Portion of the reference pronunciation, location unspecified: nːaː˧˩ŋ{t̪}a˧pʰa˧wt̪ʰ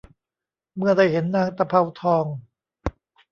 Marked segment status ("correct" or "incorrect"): correct